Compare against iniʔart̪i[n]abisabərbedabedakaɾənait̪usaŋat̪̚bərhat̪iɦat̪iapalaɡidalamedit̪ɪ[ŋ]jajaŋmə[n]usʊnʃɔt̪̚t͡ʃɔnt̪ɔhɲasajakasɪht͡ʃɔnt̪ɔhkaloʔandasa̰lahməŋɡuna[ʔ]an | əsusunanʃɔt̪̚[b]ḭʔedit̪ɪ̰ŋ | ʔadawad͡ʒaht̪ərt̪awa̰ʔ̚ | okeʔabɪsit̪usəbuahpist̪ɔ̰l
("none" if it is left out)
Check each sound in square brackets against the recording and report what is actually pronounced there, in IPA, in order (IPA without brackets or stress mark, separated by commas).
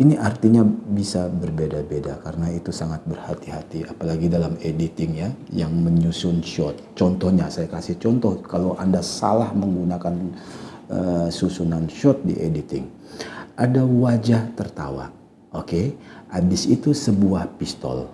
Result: ɲ, ŋ, ɲ, k, d